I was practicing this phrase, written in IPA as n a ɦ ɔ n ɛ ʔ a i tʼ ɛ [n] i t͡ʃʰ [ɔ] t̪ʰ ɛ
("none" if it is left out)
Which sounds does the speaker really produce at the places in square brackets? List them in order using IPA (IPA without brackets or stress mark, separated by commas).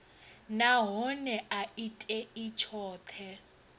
none, ɔː